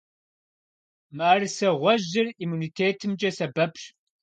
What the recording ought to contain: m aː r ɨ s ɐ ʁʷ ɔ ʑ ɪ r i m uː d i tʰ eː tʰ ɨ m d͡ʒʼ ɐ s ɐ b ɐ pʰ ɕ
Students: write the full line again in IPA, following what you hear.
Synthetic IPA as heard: m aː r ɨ s ɐ ʁʷ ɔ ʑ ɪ r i m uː n i tʰ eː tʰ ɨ m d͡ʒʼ ɐ s ɐ b ɐ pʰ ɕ